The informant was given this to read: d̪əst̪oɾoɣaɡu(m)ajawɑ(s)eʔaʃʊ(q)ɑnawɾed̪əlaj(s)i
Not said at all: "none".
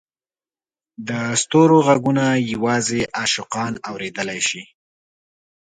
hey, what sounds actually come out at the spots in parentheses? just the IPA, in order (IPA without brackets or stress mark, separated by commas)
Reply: n, z, q, ʃ